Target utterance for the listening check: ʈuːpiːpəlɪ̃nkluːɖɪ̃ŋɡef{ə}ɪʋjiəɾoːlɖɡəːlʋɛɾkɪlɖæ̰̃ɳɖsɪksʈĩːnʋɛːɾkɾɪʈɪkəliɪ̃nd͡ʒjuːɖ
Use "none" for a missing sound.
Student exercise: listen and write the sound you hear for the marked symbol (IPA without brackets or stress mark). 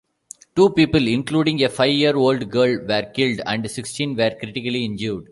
a